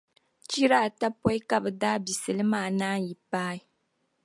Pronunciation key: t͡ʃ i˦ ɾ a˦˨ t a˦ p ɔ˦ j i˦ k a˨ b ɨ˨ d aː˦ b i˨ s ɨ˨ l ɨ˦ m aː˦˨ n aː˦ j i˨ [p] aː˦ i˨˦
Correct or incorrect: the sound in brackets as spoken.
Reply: correct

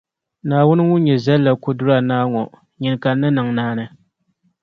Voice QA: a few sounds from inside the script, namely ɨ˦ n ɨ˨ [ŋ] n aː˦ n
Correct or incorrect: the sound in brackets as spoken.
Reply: correct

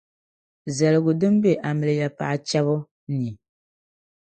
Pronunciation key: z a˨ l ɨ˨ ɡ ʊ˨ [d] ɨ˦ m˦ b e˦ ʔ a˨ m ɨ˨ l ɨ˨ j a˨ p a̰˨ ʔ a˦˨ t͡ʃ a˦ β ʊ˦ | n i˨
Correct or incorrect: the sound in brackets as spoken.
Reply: correct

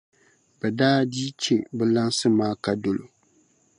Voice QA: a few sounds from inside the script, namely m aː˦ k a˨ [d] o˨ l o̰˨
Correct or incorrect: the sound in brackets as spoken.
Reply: correct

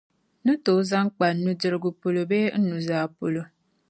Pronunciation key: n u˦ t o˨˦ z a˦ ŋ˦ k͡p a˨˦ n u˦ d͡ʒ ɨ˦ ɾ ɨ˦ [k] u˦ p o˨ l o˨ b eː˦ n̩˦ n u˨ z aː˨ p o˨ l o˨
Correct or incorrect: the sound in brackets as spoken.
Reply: incorrect: ɡ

